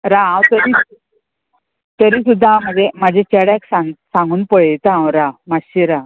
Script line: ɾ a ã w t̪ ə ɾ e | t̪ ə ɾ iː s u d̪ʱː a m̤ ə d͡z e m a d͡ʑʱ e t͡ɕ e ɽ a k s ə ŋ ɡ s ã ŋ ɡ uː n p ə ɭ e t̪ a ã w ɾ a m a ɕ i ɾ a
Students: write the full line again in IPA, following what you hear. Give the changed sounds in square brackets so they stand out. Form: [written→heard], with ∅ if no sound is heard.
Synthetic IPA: ɾ a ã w t̪ ə ɾ [e→i] | t̪ ə ɾ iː s u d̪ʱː a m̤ ə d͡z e m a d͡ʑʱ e t͡ɕ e ɽ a k s [ə→a] ŋ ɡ s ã ŋ ɡ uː n p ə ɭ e t̪ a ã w ɾ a m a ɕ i ɾ a